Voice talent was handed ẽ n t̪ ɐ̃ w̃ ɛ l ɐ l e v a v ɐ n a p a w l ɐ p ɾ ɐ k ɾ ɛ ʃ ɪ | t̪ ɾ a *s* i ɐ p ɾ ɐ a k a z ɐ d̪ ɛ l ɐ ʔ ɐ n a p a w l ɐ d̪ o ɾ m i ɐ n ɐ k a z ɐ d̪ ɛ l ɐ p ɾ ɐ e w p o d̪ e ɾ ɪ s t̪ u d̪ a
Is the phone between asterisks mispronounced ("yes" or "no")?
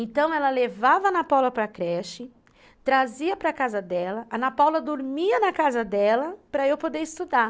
yes